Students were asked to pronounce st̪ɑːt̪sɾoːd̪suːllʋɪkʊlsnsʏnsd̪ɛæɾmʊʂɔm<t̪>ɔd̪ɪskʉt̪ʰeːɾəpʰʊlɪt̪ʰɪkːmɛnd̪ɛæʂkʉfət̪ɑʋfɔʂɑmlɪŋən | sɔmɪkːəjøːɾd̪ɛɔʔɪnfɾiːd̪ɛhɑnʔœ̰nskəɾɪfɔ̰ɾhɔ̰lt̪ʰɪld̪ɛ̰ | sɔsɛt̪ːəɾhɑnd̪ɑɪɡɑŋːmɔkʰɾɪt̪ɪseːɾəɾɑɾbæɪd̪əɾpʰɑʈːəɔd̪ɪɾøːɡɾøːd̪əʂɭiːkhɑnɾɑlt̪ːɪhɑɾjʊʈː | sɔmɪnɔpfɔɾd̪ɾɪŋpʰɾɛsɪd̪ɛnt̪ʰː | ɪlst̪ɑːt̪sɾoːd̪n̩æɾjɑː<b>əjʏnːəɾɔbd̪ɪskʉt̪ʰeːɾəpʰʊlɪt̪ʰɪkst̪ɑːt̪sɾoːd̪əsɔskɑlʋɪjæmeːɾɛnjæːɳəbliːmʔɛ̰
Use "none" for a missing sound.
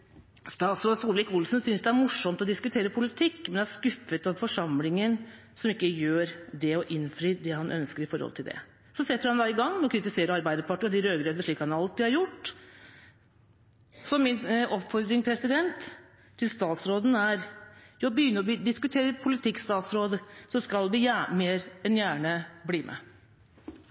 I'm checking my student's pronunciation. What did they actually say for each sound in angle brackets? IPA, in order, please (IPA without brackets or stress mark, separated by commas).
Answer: t̪, b